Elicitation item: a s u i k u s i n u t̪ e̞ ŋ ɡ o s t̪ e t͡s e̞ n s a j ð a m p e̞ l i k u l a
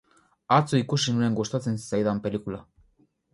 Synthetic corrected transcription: a t͡s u i k u s i n u e̞ ŋ ɡ o s t̪ a t͡s e̞ n s a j ð a m p e̞ l i k u l a